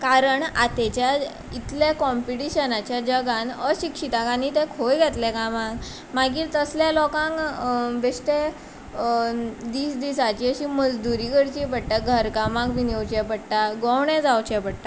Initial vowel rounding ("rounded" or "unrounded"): unrounded